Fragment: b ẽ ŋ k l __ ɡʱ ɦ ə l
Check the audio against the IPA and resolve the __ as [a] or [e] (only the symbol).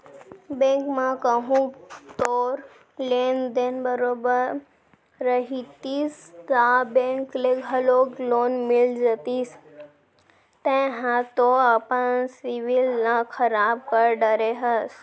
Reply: e